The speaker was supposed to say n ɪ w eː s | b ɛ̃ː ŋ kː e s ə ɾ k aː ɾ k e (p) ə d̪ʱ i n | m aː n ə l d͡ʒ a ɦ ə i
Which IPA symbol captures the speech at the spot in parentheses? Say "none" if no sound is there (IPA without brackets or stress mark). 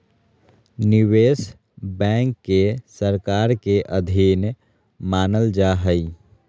ʔ